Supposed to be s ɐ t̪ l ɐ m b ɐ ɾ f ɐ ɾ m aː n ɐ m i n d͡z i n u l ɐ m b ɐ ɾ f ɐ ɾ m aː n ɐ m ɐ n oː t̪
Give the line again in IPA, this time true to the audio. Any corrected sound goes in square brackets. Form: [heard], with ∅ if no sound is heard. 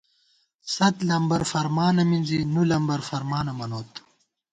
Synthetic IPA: s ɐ t̪ l ɐ m b ɐ ɾ f ɐ ɾ m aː n ɐ m i n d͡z i n u l ɐ m b ɐ ɾ f ɐ ɾ m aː n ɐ m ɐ n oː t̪